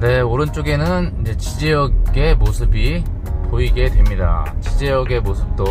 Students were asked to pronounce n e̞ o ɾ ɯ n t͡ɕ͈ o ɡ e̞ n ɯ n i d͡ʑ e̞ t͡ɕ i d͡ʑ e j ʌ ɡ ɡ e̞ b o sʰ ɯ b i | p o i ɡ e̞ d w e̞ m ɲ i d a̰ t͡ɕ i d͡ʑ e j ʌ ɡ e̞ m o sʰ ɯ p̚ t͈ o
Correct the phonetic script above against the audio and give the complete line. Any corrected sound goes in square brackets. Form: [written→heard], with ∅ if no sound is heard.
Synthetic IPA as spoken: n e̞ o ɾ ɯ n t͡ɕ͈ o ɡ e̞ n ɯ n i d͡ʑ e̞ t͡ɕ i d͡ʑ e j ʌ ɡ ɡ e̞ [b→m] o sʰ ɯ b i | p o i ɡ e̞ d w e̞ m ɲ i d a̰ t͡ɕ i d͡ʑ e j ʌ ɡ e̞ m o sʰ ɯ p̚ t͈ o